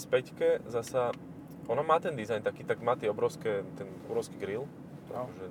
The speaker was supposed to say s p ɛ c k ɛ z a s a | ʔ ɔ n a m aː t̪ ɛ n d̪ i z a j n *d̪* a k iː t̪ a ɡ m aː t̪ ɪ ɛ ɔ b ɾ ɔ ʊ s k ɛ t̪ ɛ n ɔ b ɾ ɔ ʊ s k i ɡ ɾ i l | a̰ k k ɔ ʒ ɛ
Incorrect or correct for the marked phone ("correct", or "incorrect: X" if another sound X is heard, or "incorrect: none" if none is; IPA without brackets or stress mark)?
incorrect: t̪